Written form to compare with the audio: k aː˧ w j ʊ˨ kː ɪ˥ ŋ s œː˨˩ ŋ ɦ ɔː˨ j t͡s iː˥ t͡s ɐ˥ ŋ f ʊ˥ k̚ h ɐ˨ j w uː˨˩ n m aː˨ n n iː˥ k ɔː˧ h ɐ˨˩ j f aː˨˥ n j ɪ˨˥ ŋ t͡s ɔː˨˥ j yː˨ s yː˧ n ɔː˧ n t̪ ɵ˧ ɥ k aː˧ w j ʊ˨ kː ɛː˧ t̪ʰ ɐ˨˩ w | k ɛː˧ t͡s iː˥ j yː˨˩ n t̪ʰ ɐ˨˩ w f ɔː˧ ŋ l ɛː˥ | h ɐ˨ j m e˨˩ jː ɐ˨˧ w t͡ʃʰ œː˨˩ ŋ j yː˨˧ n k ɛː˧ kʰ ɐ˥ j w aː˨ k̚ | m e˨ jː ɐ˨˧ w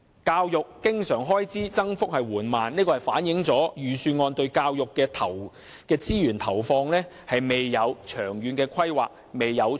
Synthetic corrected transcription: k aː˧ w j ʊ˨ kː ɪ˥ ŋ s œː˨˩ ŋ ɦ ɔː˥ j t͡s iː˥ t͡s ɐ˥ ŋ f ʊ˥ k̚ h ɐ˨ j w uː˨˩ n m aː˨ n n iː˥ k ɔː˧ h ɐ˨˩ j f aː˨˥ n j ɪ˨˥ ŋ t͡s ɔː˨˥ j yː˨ s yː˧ ŋ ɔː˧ n t̪ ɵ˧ ɥ k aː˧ w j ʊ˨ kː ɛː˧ t̪ʰ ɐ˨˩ w | k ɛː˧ t͡s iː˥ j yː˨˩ n t̪ʰ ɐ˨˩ w f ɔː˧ ŋ l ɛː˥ | h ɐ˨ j m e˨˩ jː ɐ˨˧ w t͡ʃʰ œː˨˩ ŋ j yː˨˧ n k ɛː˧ kʰ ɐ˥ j w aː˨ k̚ | m e˨ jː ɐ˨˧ w